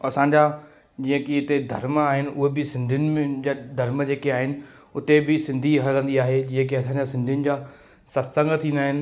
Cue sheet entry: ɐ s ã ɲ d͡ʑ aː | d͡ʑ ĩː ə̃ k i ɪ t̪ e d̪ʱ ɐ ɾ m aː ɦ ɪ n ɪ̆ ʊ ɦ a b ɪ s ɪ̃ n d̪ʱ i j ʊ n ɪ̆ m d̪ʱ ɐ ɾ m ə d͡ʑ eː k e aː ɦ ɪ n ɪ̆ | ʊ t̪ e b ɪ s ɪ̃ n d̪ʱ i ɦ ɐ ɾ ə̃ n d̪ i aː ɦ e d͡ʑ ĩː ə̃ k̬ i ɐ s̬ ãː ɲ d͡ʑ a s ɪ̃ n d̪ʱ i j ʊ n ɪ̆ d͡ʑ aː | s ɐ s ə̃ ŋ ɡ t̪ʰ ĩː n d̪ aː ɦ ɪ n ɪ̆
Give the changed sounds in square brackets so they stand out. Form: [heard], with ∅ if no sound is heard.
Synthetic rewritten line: ɐ s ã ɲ d͡ʑ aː | d͡ʑ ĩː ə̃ k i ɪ t̪ e d̪ʱ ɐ ɾ m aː ɦ ɪ n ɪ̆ ʊ ɦ [e] b ɪ s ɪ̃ n d̪ʱ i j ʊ n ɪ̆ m d̪ʱ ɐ ɾ m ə d͡ʑ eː k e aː ɦ ɪ n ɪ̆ | ʊ t̪ e b ɪ s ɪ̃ n d̪ʱ i ɦ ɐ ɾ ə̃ n d̪ i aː ɦ e d͡ʑ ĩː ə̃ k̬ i ɐ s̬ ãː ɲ d͡ʑ a s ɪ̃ n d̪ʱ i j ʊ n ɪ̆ d͡ʑ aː | s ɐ s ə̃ ŋ ɡ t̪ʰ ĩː n d̪ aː ɦ ɪ n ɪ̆